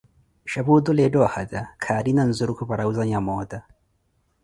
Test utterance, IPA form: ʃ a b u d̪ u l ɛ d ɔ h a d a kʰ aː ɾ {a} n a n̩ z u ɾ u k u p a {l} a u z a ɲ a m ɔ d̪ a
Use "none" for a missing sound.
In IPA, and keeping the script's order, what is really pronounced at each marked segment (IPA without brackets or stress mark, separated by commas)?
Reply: i, ɾ